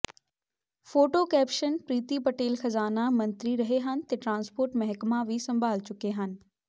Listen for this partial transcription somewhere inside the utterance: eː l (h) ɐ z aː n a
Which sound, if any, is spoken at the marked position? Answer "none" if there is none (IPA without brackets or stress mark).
x